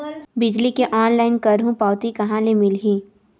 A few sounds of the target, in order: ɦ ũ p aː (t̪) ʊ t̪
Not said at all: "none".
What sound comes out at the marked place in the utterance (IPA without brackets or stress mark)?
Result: none